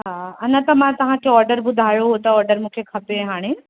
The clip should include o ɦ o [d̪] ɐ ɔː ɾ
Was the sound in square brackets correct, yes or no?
no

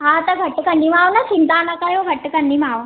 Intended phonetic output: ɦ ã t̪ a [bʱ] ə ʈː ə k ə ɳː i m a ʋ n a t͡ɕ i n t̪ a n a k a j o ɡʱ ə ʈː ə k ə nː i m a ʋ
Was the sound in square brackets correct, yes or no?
no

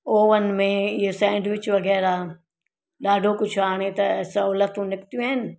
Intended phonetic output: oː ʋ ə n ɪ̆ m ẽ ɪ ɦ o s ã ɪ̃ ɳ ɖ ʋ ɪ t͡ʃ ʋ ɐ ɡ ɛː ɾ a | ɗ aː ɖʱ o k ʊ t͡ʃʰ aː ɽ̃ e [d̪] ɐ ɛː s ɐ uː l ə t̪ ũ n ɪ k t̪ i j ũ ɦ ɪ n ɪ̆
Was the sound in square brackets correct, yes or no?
no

